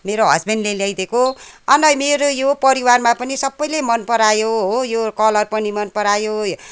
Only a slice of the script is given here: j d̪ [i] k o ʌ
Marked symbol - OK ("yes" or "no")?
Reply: no